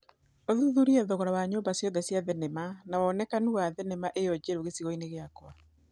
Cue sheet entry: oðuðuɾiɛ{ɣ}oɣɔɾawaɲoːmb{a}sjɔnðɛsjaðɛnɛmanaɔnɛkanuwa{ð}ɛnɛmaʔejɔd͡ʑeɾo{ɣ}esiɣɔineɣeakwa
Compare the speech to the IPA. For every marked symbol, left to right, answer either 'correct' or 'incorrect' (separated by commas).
incorrect, correct, correct, correct